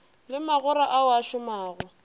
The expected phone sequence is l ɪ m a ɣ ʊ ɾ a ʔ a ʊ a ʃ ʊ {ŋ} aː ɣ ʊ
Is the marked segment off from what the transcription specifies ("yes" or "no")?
yes